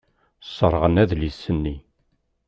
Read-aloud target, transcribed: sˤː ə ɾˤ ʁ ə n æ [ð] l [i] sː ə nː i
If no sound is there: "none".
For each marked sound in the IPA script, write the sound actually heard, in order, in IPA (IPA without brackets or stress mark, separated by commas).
ð, i